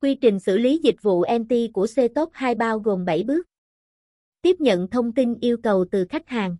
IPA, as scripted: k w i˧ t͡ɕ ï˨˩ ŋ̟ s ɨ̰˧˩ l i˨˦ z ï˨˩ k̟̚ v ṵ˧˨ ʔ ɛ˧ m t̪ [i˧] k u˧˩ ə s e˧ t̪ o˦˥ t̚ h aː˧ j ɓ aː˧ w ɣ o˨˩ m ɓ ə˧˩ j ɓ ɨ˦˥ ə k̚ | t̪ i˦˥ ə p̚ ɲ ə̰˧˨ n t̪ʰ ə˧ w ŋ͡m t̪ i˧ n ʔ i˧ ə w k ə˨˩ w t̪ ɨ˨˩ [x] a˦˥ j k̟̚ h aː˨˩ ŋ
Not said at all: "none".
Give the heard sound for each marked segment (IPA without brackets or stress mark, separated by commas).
i˧, x